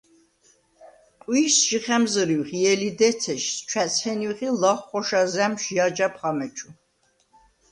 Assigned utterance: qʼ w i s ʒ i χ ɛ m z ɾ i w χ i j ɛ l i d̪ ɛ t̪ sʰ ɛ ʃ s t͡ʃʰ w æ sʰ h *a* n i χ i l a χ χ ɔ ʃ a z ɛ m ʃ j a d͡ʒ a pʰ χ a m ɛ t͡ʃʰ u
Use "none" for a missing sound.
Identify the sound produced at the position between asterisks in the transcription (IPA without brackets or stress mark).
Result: ɛ